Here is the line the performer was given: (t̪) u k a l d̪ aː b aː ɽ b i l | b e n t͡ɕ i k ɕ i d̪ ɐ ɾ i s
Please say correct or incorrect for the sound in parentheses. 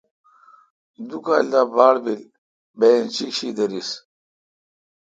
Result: incorrect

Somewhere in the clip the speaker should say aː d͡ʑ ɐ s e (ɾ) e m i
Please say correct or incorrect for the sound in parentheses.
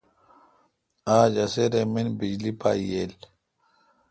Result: correct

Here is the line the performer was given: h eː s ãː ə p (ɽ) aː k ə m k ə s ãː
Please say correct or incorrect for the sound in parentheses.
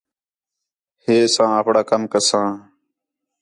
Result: correct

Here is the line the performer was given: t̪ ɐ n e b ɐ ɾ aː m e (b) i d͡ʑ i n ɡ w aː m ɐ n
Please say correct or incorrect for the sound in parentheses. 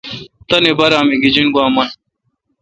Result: incorrect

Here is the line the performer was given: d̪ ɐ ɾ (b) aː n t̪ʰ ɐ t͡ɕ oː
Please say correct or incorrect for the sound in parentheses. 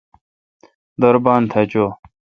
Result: correct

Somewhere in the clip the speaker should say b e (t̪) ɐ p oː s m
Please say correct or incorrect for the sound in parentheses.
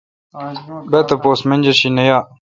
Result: correct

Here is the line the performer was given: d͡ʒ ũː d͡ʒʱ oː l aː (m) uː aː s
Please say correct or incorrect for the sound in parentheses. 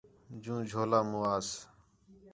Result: correct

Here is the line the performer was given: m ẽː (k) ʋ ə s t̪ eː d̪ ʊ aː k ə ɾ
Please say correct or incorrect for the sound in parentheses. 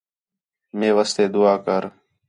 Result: incorrect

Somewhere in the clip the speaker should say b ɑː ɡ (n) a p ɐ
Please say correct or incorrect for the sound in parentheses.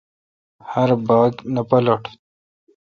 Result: correct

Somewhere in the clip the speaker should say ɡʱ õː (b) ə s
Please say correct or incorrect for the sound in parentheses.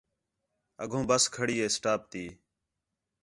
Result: correct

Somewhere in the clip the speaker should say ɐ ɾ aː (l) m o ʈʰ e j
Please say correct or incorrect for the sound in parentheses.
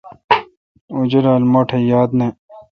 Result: correct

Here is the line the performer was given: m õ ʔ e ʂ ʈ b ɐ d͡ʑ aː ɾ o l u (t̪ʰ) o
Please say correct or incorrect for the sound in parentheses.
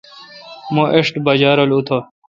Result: correct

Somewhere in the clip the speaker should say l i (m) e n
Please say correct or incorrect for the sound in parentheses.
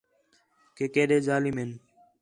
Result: correct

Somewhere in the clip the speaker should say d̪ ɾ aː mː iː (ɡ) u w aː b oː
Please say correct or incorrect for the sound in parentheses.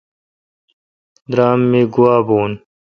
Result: correct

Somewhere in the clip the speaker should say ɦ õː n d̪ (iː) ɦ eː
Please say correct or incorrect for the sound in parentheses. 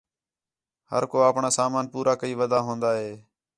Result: incorrect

